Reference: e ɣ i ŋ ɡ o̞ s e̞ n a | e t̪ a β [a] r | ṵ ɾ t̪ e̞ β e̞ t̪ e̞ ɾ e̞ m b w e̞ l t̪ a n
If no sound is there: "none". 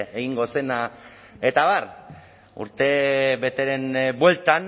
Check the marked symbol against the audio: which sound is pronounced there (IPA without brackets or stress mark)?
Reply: a